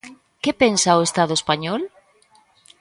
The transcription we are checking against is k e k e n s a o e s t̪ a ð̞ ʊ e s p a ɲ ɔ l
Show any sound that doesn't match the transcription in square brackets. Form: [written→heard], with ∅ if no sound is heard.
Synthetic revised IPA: k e [k→p] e n s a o e s t̪ a ð̞ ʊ e s p a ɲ ɔ l